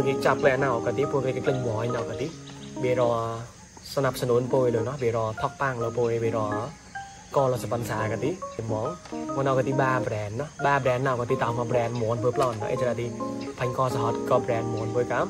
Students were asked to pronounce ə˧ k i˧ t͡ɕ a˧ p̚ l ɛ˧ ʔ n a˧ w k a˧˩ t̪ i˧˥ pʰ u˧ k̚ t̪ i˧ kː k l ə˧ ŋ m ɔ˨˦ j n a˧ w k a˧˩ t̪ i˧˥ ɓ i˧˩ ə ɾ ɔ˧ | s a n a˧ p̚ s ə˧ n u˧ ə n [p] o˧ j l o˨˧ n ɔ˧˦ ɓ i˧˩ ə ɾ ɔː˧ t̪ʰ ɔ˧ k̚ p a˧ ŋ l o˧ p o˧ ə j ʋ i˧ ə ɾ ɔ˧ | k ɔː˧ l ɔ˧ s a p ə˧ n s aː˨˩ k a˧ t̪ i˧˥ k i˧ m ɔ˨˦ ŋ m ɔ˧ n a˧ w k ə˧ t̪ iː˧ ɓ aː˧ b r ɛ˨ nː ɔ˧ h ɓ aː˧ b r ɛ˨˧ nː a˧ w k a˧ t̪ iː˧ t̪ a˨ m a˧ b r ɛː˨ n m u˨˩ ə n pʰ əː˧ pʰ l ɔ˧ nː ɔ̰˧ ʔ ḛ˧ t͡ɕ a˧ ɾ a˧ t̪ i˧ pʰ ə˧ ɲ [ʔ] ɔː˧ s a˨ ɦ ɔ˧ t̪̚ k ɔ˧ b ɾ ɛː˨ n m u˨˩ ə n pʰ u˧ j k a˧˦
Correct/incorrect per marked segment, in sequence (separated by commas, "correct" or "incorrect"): correct, incorrect